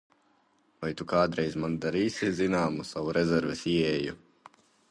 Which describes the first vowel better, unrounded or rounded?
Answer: unrounded